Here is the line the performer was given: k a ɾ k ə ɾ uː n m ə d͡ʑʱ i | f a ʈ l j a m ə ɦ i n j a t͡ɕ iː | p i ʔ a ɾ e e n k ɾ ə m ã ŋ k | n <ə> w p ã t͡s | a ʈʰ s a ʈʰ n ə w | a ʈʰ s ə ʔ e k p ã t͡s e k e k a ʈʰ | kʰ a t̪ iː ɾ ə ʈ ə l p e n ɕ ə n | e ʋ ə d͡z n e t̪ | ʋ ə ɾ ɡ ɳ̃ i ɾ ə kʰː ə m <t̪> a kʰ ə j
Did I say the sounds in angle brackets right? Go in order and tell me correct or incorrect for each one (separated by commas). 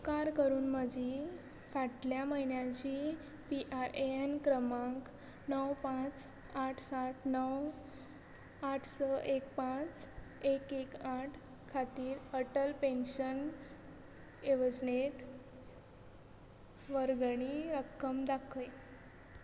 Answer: correct, incorrect